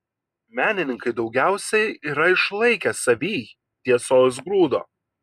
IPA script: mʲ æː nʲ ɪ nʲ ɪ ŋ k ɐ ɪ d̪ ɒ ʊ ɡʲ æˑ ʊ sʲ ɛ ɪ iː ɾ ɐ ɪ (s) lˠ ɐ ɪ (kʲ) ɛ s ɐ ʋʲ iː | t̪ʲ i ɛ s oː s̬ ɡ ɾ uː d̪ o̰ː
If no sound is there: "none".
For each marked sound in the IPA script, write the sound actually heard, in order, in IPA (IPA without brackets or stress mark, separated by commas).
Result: ʃ, kʲ